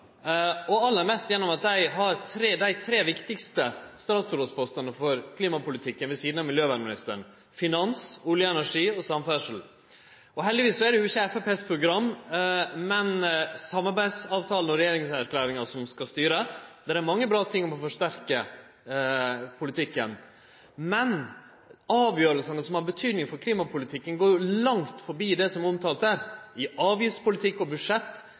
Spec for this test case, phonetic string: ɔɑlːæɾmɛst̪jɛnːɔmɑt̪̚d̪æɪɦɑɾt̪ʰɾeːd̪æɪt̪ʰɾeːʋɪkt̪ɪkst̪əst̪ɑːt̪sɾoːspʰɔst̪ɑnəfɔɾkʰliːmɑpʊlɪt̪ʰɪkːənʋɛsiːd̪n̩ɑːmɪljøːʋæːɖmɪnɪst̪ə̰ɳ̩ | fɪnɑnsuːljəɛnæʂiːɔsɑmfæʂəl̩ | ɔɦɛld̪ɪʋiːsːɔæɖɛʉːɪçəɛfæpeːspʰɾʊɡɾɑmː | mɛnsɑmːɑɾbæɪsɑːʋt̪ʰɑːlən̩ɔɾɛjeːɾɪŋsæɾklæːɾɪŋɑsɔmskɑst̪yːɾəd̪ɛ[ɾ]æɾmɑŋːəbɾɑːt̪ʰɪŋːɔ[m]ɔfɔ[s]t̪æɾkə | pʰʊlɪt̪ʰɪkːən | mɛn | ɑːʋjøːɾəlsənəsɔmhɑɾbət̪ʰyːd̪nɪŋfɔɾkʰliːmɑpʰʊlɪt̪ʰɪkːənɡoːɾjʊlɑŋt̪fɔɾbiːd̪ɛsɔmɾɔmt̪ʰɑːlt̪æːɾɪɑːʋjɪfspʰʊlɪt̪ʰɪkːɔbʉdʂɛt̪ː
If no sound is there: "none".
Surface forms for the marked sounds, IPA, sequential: ɾ, m, ʂ

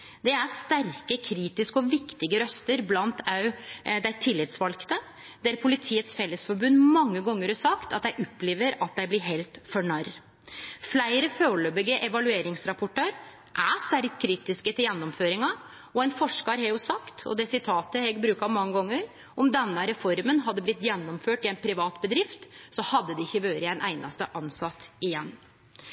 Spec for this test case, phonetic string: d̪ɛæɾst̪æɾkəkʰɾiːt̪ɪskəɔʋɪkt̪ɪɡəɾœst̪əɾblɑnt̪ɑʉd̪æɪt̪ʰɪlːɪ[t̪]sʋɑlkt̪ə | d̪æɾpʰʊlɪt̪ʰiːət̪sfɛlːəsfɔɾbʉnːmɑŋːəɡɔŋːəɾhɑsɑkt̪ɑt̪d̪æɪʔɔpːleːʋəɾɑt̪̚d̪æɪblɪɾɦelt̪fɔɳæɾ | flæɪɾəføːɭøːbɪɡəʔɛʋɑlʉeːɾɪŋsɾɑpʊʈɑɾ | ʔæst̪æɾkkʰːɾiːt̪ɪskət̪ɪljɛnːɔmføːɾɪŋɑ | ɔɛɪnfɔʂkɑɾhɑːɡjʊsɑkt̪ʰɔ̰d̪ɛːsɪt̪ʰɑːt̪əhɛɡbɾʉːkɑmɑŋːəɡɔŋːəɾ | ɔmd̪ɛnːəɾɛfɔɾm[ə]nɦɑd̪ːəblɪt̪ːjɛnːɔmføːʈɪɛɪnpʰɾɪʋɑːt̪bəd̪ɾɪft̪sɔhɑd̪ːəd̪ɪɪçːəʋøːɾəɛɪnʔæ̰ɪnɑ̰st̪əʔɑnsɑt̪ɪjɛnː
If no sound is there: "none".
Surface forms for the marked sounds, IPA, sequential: t̪, ə

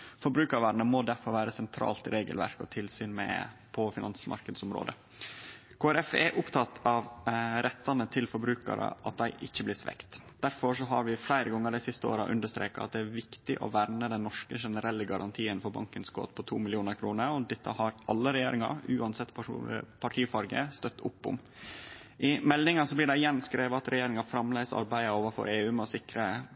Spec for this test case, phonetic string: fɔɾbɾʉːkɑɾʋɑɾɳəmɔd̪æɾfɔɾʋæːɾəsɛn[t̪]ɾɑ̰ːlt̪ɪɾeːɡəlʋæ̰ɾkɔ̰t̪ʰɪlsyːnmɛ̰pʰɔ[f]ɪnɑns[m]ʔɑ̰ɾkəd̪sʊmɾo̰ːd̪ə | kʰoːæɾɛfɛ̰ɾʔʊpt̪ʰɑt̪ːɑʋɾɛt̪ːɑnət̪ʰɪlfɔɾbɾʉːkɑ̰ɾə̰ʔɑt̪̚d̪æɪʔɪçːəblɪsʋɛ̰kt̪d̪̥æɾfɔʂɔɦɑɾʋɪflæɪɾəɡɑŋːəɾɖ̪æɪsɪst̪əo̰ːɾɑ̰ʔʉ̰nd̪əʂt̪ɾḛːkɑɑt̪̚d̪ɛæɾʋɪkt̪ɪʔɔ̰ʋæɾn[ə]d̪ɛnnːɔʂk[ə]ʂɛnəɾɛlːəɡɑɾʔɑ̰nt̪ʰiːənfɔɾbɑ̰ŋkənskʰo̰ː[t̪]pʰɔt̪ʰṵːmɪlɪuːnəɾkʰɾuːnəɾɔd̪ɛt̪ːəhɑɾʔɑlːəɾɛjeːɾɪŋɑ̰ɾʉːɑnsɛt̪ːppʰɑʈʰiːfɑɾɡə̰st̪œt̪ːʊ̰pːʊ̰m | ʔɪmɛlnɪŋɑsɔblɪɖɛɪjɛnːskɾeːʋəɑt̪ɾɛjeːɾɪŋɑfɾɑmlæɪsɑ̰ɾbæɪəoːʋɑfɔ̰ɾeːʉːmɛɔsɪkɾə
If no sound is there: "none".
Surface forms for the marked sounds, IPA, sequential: t̪ʰ, f, m, ə, ə, t̪

